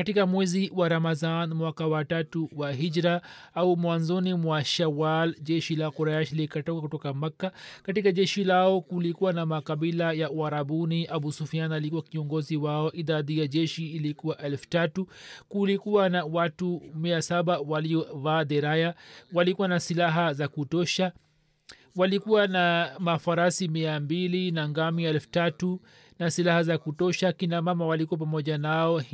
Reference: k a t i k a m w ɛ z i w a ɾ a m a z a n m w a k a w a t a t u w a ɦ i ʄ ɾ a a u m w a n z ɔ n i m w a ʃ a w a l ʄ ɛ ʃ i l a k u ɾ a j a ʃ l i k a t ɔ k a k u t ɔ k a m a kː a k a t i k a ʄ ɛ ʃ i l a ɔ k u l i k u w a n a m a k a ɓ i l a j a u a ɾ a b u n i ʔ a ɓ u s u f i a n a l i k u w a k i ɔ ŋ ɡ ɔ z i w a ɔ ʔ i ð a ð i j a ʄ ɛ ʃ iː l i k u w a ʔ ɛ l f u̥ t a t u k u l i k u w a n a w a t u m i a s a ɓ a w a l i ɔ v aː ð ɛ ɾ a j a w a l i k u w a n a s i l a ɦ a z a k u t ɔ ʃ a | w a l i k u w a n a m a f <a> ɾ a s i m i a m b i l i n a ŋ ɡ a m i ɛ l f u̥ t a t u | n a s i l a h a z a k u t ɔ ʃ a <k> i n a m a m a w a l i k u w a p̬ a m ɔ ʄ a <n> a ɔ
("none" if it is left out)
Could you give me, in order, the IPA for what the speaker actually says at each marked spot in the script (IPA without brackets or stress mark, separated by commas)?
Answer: a, k, n